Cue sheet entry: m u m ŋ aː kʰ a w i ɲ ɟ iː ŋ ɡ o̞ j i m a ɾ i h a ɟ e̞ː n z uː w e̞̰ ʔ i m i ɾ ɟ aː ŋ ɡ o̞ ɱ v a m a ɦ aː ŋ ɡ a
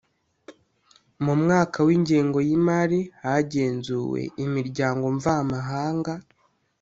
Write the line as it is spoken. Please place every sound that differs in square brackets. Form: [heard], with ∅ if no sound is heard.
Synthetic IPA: m u m ŋ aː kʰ a w i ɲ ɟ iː ŋ ɡ o̞ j i m a ɾ i h a ɟ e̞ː n z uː w e̞̰ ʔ i m i ɾ ɟ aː ŋ ɡ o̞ ɱ v a m a ɦ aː ŋ ɡ a